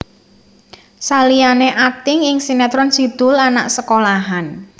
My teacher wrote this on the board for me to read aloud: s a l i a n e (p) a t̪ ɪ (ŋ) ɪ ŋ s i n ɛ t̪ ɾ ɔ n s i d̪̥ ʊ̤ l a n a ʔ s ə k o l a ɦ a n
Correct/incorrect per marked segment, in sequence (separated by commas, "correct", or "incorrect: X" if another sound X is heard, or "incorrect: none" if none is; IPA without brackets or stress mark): incorrect: ʔ, correct